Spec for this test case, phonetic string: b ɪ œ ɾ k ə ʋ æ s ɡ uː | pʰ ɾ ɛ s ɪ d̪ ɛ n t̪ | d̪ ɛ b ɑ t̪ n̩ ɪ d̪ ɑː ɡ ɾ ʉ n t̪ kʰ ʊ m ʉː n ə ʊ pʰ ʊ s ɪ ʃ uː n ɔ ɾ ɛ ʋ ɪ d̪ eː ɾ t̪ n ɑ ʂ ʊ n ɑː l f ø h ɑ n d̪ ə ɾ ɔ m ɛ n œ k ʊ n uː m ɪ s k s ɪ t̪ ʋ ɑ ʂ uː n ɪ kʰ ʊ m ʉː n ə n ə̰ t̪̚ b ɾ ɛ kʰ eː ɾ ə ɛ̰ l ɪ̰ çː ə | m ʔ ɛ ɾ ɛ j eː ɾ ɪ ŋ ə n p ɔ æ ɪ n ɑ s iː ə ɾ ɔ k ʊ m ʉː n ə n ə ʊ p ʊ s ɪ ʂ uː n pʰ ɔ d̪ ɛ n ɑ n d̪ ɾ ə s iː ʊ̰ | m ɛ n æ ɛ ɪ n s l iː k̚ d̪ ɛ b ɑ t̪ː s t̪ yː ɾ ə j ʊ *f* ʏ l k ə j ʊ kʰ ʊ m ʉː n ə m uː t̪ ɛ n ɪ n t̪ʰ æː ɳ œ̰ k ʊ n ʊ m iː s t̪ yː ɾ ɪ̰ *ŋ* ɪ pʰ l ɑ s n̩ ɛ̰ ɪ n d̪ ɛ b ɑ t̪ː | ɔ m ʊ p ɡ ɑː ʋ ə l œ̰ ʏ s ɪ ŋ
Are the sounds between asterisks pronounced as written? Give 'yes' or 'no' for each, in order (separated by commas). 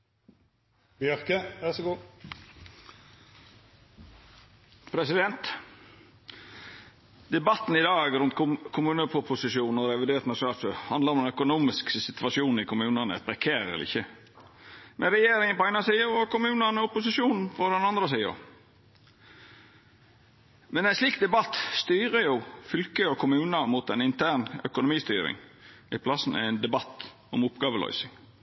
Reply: yes, yes